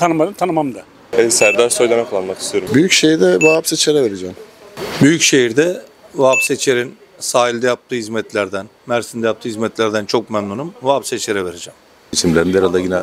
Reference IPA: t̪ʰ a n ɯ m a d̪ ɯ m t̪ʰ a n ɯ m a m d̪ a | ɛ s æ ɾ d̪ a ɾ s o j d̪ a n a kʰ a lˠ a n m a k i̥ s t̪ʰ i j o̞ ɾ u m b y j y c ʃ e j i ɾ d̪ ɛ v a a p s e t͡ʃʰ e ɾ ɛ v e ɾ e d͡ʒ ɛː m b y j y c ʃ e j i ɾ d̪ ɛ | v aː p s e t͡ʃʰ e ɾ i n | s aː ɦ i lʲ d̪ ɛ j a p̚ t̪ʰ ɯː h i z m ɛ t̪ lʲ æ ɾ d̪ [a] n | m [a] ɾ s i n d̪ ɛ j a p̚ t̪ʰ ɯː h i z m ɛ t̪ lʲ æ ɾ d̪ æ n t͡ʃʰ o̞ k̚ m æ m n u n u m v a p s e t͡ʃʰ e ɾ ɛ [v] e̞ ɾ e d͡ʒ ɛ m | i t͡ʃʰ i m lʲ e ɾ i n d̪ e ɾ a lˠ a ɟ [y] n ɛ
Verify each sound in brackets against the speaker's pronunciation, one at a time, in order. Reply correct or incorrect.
incorrect, incorrect, correct, incorrect

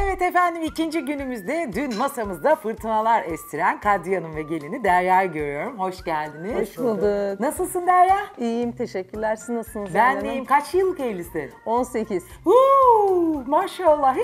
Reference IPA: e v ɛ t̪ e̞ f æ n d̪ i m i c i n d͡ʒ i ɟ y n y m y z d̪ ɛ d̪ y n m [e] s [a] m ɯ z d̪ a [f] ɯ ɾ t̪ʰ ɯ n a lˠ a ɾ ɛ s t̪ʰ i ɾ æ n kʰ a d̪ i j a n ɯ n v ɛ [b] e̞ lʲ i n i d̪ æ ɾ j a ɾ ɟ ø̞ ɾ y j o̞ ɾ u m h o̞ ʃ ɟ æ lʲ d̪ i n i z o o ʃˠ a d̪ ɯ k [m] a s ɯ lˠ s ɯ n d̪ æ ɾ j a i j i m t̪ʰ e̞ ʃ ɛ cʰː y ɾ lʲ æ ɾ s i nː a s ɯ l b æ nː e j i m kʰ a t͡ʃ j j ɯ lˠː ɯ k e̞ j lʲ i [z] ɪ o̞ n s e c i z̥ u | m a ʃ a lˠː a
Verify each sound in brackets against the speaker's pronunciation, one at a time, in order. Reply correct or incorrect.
incorrect, correct, correct, incorrect, incorrect, incorrect

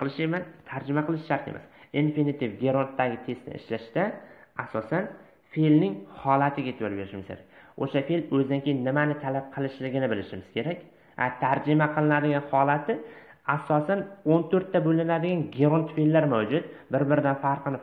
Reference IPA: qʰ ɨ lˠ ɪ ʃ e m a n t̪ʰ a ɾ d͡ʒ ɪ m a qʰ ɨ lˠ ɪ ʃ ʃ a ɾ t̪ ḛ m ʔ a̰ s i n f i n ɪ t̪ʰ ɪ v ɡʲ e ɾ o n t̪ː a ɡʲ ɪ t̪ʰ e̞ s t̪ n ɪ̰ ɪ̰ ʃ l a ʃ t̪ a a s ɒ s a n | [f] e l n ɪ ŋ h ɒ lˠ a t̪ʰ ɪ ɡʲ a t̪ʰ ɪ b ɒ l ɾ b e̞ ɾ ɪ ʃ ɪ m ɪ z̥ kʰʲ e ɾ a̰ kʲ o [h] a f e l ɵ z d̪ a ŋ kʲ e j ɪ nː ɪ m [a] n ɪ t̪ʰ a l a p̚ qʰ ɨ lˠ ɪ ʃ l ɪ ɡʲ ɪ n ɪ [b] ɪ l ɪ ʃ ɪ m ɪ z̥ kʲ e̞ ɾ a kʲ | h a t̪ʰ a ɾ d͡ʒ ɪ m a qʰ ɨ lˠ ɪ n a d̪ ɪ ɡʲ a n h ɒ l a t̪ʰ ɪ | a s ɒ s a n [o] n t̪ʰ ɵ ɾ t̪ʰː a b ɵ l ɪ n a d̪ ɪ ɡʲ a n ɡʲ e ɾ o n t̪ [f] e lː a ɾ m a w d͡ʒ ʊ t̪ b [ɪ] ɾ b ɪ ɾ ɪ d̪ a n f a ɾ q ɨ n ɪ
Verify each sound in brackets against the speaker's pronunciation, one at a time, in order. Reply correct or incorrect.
correct, incorrect, correct, correct, correct, correct, correct

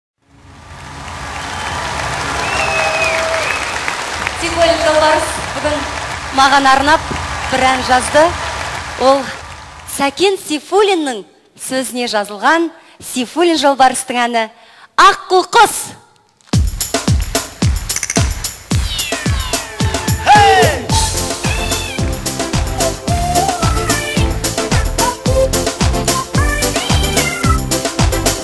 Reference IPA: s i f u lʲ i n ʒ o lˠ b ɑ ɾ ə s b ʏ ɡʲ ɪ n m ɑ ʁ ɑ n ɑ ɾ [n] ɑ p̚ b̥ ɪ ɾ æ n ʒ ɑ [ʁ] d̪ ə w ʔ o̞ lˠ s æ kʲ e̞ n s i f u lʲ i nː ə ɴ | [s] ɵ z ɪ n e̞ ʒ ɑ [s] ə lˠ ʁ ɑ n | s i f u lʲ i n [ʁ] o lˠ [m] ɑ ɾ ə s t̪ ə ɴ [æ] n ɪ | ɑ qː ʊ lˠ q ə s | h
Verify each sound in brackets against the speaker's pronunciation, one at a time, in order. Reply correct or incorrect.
correct, incorrect, correct, incorrect, incorrect, incorrect, correct

